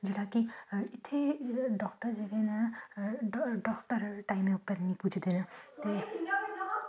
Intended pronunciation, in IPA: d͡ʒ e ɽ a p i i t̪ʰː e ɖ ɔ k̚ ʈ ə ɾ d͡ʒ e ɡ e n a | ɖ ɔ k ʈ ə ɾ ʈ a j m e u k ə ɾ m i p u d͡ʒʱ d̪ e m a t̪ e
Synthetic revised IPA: d͡ʒ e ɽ a k i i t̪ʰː e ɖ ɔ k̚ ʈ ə ɾ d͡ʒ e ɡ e n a | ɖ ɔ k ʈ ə ɾ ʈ a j m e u p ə ɾ n i p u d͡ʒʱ d̪ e n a t̪ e

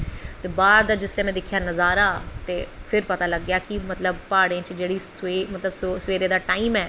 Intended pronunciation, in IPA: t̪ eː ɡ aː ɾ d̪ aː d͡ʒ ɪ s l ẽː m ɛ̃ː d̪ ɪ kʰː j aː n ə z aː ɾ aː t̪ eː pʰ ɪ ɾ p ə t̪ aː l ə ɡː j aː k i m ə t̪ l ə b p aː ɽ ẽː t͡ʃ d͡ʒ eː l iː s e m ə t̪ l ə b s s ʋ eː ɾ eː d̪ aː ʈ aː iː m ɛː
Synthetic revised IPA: t̪ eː b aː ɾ d̪ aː d͡ʒ ɪ s l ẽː m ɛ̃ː d̪ ɪ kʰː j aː n ə z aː ɾ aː t̪ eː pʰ ɪ ɾ p ə t̪ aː l ə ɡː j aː k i m ə t̪ l ə b p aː ɽ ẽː t͡ʃ d͡ʒ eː ɽ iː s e m ə t̪ l ə b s s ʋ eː ɾ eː d̪ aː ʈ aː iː m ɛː

